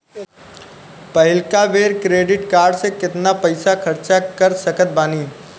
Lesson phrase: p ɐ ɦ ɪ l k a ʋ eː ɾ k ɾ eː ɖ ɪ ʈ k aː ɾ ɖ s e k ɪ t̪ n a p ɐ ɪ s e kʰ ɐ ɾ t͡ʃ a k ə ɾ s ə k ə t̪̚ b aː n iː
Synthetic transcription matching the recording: p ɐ ɦ ɪ l k a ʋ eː ɾ k ɾ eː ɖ ɪ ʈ k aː ɾ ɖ s e k ɪ t̪ n a p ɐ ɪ s a kʰ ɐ ɾ t͡ʃ a k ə ɾ s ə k ə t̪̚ b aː n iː